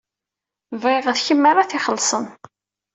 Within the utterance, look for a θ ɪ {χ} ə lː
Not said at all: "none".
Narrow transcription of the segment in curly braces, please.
χ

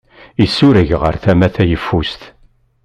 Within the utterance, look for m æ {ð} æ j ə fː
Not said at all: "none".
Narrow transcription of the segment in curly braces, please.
θ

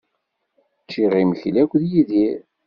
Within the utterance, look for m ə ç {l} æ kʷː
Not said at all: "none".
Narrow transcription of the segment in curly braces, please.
l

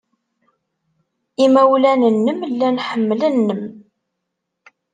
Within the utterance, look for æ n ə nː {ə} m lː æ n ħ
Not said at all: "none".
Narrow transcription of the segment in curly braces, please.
ə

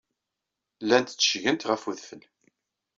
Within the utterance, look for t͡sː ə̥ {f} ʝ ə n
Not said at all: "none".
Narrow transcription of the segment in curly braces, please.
ʃ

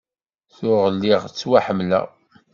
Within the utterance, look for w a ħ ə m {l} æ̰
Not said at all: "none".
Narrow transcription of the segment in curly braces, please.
l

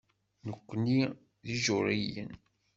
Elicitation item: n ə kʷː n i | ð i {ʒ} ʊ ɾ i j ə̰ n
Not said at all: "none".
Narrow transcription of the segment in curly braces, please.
ʒ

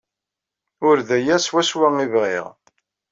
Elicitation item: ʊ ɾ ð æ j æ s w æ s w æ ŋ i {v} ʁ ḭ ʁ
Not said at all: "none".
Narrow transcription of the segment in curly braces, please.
v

